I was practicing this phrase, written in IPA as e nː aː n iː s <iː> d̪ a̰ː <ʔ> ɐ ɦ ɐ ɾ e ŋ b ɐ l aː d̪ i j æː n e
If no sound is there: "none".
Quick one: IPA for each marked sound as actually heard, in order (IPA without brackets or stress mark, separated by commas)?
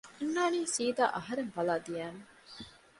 iː, ʔ